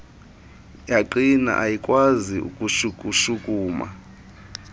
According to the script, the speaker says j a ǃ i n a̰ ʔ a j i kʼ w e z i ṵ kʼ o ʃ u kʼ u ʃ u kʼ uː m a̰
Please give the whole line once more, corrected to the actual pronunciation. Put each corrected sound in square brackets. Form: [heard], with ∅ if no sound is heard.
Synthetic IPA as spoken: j a ǃ i n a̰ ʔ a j i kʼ w [a] z i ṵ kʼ [u] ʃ u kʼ u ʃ u kʼ uː m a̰